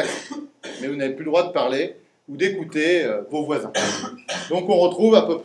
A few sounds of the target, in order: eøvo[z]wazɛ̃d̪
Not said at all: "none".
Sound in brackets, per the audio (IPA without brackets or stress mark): v